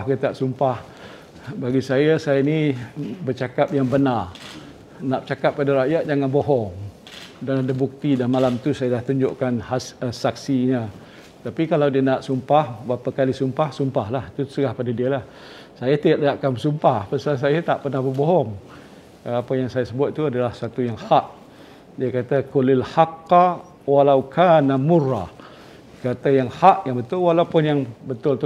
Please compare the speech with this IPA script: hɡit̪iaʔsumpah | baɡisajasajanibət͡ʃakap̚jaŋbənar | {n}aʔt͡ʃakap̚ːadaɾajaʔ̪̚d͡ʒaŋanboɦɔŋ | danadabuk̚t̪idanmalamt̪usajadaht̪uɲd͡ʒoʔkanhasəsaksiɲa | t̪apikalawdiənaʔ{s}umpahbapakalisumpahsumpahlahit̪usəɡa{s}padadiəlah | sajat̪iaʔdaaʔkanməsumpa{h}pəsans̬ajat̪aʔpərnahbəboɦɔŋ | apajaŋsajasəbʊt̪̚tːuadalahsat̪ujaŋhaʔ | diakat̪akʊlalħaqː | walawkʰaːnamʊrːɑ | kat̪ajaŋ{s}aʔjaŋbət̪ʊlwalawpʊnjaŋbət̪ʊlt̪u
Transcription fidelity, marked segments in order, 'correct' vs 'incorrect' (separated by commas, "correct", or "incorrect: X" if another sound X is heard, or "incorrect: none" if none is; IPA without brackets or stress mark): correct, correct, incorrect: h, correct, incorrect: h